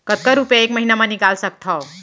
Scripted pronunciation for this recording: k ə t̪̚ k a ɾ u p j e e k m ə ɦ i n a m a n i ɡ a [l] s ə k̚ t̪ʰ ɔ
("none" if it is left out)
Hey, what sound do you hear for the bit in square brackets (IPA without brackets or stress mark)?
l